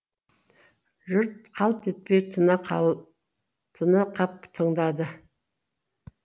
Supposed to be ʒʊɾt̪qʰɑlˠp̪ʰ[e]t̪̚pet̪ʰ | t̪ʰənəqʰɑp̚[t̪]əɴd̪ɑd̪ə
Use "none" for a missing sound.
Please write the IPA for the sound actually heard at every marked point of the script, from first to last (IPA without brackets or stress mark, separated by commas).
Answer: e, t̪ʰ